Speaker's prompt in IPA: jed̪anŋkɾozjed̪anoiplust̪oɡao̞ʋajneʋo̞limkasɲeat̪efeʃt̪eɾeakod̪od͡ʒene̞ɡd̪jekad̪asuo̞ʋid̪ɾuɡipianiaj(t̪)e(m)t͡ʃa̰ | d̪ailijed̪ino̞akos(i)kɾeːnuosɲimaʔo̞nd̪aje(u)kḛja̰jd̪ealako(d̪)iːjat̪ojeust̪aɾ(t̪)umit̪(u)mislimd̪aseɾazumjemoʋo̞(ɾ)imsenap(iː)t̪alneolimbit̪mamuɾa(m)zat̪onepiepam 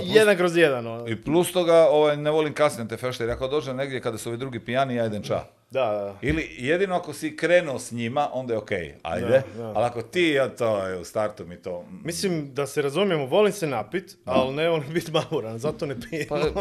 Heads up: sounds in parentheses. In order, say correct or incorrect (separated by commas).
incorrect, incorrect, correct, incorrect, incorrect, correct, incorrect, incorrect, incorrect, incorrect